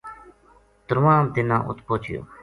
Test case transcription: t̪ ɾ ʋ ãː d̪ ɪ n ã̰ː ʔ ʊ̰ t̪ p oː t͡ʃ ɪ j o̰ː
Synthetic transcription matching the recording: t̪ ɾ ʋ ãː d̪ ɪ n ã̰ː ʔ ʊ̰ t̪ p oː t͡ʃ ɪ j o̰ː